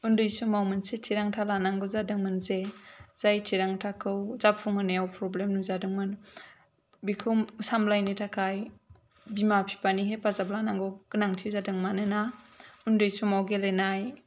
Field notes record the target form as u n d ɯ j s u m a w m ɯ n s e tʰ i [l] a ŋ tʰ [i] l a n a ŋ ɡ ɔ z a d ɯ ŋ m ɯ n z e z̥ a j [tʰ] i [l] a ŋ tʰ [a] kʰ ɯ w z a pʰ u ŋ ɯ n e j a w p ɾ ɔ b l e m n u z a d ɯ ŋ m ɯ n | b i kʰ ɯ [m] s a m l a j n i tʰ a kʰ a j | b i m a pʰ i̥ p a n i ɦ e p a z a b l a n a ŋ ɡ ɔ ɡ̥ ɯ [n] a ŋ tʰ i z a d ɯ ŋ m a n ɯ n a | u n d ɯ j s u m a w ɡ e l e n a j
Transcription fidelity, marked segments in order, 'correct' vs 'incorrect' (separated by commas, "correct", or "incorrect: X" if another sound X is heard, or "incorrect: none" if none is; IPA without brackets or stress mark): incorrect: ɾ, incorrect: a, correct, incorrect: ɾ, correct, correct, correct